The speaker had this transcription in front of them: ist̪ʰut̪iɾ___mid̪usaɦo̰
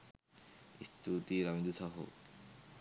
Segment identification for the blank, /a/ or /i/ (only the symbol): a